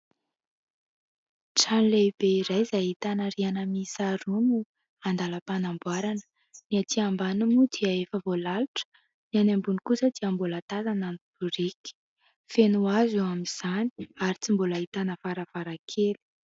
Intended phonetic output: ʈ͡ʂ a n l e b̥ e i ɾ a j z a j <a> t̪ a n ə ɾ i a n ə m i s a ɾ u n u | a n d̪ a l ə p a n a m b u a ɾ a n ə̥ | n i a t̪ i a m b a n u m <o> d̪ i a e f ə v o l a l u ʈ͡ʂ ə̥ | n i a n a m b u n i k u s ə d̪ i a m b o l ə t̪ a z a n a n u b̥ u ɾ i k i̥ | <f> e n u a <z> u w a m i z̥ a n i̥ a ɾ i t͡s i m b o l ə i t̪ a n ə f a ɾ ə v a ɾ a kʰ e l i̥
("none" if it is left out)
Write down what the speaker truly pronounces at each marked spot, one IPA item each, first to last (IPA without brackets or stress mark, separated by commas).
i, u, f, z